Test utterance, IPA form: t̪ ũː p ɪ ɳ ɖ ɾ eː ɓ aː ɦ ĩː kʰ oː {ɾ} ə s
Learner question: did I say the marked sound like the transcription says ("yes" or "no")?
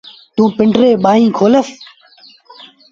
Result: no